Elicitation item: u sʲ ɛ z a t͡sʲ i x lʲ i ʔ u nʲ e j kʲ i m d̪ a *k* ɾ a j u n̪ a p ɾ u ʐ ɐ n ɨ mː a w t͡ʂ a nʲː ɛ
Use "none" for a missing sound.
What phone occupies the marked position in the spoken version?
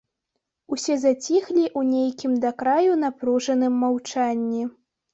k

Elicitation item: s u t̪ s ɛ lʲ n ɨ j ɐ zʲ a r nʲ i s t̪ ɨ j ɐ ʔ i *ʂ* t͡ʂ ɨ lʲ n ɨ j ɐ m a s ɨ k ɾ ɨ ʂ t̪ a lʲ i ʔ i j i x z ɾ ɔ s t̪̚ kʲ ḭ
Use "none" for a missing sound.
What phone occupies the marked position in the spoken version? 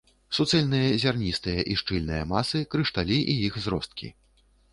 ʂ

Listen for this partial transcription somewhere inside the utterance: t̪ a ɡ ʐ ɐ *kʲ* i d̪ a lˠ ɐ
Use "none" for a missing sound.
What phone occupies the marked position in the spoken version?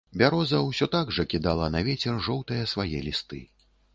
kʲ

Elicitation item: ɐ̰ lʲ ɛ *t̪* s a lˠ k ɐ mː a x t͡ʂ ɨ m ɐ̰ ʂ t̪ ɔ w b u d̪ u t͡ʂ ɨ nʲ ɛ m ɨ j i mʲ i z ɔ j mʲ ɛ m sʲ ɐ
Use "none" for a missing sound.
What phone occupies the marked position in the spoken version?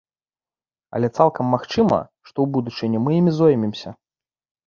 t̪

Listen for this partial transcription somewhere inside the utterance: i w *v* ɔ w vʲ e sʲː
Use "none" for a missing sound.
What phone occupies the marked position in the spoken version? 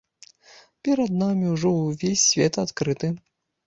ʐ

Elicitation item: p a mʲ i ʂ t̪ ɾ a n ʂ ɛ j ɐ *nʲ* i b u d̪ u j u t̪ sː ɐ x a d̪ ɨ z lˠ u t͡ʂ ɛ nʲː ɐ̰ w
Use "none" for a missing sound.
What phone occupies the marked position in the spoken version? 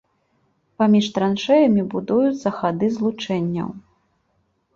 mʲ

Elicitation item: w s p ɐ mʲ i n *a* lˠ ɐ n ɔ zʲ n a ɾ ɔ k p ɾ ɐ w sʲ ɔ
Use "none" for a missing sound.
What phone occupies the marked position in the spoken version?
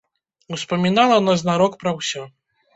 a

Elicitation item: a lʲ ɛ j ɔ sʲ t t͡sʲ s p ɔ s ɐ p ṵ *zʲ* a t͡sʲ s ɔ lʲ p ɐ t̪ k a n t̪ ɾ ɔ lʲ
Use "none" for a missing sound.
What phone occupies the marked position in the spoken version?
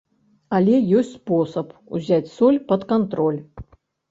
zʲ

